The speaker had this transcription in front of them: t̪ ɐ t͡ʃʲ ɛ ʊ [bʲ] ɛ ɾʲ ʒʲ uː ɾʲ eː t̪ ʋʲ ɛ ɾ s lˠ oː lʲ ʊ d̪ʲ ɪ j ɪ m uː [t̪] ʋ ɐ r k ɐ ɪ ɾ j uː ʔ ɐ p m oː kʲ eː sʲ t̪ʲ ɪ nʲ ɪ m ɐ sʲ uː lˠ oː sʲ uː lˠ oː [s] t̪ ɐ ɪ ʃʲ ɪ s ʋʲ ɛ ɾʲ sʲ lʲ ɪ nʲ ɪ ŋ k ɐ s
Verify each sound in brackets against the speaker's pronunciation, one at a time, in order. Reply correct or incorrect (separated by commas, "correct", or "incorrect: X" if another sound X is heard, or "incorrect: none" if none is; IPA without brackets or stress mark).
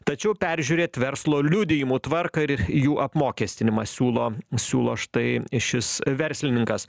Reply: incorrect: pʲ, correct, incorrect: ʃ